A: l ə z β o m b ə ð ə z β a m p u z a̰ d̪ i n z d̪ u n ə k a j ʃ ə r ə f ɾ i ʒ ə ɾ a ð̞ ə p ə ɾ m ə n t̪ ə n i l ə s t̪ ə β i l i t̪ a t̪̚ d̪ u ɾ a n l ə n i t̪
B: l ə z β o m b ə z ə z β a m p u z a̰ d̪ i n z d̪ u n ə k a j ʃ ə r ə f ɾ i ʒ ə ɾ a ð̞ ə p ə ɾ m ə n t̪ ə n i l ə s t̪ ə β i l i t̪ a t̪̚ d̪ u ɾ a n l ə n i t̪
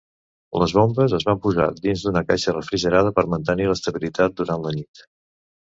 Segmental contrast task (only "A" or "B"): B